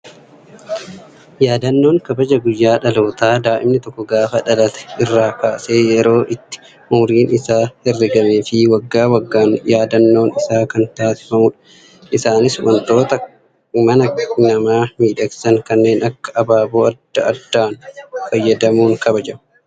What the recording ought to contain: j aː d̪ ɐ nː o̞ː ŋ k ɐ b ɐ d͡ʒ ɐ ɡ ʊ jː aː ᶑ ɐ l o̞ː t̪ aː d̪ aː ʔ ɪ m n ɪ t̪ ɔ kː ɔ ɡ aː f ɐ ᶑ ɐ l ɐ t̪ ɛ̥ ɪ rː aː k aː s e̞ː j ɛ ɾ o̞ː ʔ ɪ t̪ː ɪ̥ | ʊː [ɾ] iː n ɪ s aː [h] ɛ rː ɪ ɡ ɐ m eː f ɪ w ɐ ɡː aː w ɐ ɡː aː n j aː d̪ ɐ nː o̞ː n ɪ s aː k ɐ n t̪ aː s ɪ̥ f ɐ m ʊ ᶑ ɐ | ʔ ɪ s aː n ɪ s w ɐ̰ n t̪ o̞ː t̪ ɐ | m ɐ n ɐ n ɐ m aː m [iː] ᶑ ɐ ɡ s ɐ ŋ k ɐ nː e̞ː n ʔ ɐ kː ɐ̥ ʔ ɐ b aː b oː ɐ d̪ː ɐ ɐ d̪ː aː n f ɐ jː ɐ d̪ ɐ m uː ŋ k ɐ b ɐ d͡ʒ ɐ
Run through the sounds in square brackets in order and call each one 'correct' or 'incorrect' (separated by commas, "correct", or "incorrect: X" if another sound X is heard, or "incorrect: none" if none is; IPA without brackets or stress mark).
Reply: correct, correct, correct